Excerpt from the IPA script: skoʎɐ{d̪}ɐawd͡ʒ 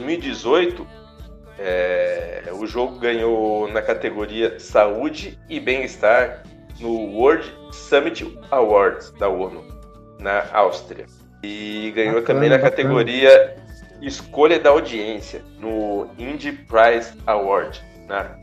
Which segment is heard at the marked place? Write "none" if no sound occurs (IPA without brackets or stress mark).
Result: d̪